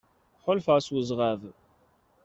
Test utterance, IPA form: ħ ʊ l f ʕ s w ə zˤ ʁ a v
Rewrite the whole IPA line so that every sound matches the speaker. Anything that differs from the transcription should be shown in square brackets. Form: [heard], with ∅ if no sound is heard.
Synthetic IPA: ħ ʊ l f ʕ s w ə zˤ ʁ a v